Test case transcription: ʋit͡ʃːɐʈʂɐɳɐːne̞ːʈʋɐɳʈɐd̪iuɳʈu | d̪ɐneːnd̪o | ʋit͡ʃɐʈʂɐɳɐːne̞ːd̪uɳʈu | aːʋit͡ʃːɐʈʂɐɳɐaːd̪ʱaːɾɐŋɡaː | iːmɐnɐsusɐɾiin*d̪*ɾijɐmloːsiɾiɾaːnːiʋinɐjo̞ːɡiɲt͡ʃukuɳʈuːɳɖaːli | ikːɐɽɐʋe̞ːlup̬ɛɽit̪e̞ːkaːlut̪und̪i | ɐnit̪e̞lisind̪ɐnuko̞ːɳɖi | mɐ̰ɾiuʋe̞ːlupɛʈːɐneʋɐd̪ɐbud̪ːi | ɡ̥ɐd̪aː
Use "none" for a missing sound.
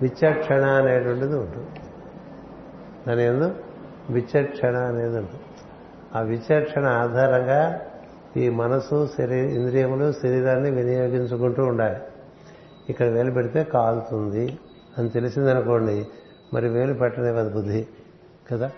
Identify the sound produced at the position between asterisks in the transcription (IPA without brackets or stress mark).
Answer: d̪